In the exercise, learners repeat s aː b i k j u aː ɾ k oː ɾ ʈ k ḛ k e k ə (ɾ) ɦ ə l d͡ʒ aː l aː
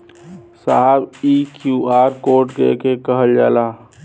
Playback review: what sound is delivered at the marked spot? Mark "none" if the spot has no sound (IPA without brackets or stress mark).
none